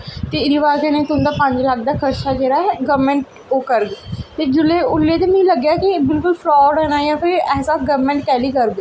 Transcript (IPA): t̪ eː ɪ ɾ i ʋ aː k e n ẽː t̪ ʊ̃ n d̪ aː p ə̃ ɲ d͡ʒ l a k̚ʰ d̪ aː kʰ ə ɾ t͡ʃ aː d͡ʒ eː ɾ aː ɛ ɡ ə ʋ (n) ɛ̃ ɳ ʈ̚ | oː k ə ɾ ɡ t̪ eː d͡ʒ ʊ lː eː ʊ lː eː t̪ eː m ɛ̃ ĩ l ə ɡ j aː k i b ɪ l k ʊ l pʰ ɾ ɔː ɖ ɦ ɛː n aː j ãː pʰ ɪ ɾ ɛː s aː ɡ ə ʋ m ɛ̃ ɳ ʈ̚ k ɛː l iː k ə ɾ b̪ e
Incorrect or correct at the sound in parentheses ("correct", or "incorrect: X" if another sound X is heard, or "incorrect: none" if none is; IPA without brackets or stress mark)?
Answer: incorrect: m